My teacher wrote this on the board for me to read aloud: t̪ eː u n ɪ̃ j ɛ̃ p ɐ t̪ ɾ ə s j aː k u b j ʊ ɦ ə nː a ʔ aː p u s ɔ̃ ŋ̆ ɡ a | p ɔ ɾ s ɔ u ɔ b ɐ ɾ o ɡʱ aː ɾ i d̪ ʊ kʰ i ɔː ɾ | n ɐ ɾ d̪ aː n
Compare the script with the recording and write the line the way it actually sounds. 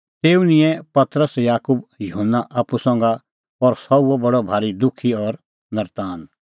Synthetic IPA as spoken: t̪ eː u n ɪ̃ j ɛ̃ p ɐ t̪ ɾ ə s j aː k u b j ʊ ɦ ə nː a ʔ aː p u s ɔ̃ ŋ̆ ɡ a | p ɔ ɾ s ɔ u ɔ b ɐ ɽ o bʱ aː ɾ i d̪ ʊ kʰ i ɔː ɾ | n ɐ ɾ t̪ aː n

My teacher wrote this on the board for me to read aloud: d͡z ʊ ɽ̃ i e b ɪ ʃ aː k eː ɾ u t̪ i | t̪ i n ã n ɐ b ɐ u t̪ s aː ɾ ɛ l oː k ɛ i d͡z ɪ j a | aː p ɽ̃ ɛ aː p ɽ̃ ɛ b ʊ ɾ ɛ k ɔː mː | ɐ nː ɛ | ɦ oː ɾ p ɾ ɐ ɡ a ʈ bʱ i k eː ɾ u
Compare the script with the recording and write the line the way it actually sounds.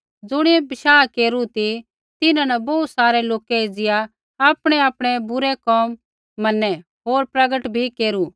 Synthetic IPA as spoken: d͡z ʊ ɽ̃ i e b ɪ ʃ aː k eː ɾ u t̪ i | t̪ ɪ n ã n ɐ b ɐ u t̪ s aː ɾ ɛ l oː k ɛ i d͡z ɪ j a | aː p ɽ̃ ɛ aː p ɽ̃ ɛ b ʊ ɾ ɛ k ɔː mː | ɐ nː ɛ | ɦ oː ɾ p ɾ ɐ ɡ ə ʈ bʱ i k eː ɾ u

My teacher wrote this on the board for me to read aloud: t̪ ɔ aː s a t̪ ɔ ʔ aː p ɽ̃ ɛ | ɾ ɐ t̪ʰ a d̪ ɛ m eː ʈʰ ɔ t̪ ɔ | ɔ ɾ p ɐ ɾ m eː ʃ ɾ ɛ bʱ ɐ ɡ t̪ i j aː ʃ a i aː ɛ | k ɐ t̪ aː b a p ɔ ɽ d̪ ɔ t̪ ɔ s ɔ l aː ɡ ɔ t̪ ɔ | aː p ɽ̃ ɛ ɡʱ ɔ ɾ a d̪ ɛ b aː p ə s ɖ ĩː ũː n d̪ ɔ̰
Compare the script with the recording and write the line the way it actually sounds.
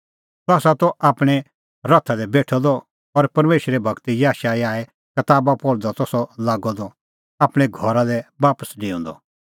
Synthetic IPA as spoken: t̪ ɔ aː s a t̪ ɔ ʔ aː p ɽ̃ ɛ | ɾ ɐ t̪ʰ a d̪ ɛ b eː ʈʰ ɔ d̪ ɔ | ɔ ɾ p ɐ ɾ m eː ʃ ɾ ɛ bʱ ɐ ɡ t̪ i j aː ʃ a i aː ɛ | k ɐ t̪ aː b a p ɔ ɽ d̪ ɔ t̪ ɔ s ɔ l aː ɡ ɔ d̪ ɔ | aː p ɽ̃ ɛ ɡʱ ɔ ɾ a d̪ ɛ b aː p ə s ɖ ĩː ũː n d̪ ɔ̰

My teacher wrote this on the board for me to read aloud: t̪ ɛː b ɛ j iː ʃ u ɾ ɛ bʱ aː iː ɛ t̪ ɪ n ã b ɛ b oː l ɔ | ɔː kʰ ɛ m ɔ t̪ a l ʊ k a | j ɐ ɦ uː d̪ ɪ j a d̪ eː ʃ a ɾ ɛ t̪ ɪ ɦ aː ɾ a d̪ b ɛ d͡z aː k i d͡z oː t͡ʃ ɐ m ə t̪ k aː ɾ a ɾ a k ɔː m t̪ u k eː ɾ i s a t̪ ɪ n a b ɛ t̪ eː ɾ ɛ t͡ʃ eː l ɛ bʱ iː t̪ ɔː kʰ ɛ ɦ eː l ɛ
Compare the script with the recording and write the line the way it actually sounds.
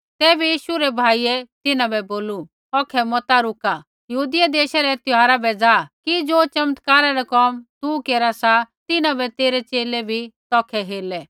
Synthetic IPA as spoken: t̪ ɛː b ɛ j iː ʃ u ɾ ɛ bʱ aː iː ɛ t̪ ɪ n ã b ɛ b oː l u | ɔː kʰ ɛ m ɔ t̪ a ɾ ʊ k a | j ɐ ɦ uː d̪ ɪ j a d̪ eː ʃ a ɾ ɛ t̪ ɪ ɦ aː ɾ a b ɛ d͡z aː k i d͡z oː t͡ʃ ɐ m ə t̪ k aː ɾ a ɾ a k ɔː m t̪ u k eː ɾ a s a t̪ ɪ n a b ɛ t̪ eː ɾ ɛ t͡ʃ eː l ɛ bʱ i t̪ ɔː kʰ ɛ ɦ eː l ɛ

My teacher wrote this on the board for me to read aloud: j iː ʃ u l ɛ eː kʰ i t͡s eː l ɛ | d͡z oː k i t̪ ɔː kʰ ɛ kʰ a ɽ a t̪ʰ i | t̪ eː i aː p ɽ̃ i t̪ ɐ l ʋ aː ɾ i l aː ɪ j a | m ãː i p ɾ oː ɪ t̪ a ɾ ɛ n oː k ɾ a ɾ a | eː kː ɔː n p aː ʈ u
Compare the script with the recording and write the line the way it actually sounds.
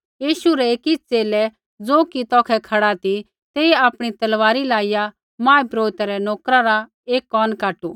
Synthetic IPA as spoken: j iː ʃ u ɾ ɛ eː k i t͡s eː l ɛ | d͡z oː k i t̪ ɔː kʰ ɛ kʰ ɐ ɽ a t̪ i | t̪ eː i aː p ɽ̃ i t̪ ɐ l ʋ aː ɾ i l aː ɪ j a | m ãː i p ɾ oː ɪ t̪ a ɾ ɛ n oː k ɾ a ɾ a | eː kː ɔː n k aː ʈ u

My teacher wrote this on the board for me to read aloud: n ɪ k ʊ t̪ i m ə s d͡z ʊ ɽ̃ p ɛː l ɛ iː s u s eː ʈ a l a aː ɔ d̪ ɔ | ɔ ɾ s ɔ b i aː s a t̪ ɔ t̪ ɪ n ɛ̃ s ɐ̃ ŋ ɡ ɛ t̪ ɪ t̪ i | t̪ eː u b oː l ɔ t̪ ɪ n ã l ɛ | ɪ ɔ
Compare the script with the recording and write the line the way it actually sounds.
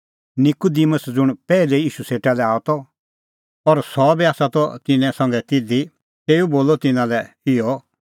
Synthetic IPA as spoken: n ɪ k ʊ d̪ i m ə s d͡z ʊ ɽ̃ p ɛː l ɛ iː ʃ u s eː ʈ a l ɛ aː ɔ t̪ ɔ | ɔ ɾ s ɔ b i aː s a t̪ ɔ t̪ ɪ n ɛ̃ s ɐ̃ ŋ ɡ ɛ t̪ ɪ d̪ i | t̪ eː u b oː l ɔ t̪ ɪ n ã l ɛ | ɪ ɔ

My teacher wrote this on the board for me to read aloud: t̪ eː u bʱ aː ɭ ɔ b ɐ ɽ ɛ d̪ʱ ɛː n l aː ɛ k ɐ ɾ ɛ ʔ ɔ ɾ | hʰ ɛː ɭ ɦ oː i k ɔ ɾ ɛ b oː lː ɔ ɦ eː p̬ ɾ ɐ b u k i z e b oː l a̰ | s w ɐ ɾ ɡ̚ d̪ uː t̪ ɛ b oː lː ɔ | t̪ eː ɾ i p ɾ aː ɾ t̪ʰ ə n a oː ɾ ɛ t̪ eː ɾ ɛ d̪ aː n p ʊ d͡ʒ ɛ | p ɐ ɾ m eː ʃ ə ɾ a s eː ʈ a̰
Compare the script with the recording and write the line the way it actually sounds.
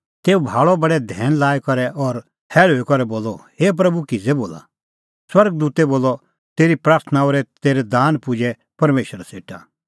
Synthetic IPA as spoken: t̪ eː u bʱ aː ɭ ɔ b ɐ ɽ ɛ d̪ʱ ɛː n l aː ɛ k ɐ ɾ ɛ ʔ ɔ ɾ | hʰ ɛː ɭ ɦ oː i k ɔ ɾ ɛ b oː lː ɔ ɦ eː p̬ ɾ ɐ b u k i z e b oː l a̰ | s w ɐ ɾ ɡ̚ d̪ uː t̪ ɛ b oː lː ɔ | t̪ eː ɾ i p ɾ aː ɾ t̪ʰ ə n a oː ɾ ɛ t̪ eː ɾ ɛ d̪ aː n p ʊ d͡ʒ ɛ | p ɐ ɾ m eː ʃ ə ɾ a s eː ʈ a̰

